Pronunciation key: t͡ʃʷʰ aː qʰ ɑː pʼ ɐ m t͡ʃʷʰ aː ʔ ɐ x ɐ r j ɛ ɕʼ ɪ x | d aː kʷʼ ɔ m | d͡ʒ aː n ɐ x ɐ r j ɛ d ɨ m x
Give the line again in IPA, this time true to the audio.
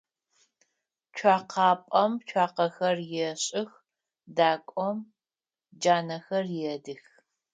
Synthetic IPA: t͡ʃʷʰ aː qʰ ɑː pʼ ɐ m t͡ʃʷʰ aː q ɐ x ɐ r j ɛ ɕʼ ɪ x | d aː kʷʼ ɔ m | d͡ʒ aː n ɐ x ɐ r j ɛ d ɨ x